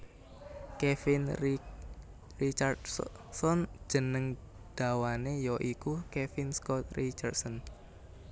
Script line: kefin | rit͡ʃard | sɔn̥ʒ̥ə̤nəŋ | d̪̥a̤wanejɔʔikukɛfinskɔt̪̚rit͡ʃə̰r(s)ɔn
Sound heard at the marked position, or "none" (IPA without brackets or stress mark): s